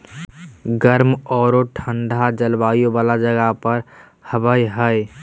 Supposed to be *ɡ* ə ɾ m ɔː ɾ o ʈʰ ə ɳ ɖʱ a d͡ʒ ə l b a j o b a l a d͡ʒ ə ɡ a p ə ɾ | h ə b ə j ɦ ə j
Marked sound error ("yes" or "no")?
no